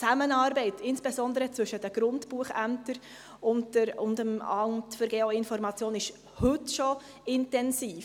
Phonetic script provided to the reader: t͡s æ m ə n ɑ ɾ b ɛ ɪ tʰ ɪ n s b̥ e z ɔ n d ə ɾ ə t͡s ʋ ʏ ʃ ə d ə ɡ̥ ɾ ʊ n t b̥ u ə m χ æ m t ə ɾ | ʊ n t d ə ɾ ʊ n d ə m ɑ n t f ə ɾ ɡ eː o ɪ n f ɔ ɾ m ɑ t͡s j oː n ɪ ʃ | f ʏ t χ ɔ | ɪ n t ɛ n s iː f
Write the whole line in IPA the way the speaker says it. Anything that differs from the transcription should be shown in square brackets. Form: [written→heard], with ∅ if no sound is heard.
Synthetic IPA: t͡s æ m ə n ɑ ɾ b ɛ ɪ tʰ ɪ n s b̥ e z ɔ n d ə ɾ ə t͡s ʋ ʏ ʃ ə d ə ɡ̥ ɾ ʊ n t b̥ u ə [m→∅] χ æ m t ə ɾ | ʊ n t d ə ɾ ʊ n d ə m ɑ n t f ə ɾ ɡ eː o ɪ n f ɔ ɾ m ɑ t͡s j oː n ɪ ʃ | [f→h] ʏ t [χ→ʃ] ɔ | ɪ n t ɛ n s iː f